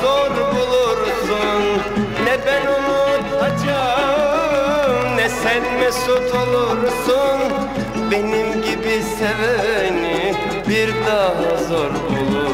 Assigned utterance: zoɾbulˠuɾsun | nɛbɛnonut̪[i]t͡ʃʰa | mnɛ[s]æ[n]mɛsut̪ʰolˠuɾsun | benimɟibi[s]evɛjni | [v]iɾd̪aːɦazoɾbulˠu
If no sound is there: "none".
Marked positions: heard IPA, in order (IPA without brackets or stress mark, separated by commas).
a, s, n, s, b